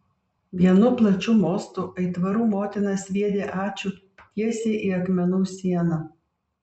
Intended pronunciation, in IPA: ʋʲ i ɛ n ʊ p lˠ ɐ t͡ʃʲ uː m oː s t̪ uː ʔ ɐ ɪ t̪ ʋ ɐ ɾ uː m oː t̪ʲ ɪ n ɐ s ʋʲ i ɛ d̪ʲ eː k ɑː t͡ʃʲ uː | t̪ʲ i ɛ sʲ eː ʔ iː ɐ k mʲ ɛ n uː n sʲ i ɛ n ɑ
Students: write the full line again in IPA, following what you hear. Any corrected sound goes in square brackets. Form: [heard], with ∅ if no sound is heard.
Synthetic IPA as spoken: ʋʲ i ɛ n ʊ p lˠ ɐ t͡ʃʲ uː m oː s t̪ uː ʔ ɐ ɪ t̪ ʋ ɐ ɾ uː m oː t̪ʲ ɪ n ɐ s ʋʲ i ɛ d̪ʲ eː [ʔ] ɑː t͡ʃʲ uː | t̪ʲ i ɛ sʲ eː ʔ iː ɐ k mʲ ɛ n uː [∅] sʲ i ɛ n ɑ